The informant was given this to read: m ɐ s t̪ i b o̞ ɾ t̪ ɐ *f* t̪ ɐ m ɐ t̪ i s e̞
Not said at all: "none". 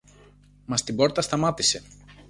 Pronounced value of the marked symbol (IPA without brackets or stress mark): s